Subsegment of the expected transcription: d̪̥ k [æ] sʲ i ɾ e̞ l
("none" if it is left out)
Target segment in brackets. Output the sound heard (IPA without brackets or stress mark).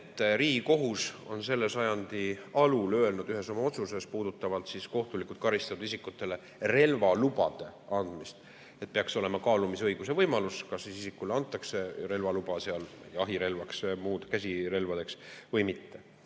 æ